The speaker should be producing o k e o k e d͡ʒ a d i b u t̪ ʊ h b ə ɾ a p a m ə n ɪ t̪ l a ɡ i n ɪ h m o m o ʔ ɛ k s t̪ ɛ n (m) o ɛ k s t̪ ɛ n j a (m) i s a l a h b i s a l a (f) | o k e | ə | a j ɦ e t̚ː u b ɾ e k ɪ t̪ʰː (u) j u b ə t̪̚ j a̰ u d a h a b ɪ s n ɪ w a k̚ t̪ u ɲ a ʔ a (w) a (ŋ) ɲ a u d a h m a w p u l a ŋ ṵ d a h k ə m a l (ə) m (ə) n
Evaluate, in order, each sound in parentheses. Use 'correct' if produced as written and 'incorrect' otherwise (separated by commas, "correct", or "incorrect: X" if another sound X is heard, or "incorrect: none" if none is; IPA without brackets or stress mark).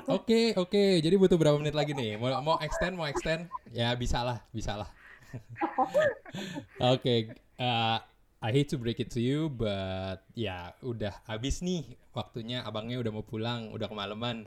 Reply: correct, incorrect: b, incorrect: h, correct, incorrect: b, correct, correct, incorrect: a